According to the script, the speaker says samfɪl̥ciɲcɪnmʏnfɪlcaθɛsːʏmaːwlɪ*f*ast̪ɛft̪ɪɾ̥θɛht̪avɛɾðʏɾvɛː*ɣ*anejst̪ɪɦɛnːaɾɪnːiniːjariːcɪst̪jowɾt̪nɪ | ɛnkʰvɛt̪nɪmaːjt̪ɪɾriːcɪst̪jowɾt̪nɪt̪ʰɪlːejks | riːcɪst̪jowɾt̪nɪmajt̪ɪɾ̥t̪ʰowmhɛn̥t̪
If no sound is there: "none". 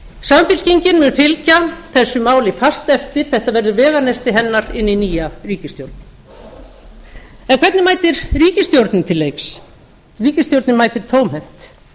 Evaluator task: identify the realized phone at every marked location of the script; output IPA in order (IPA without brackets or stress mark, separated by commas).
f, ɣ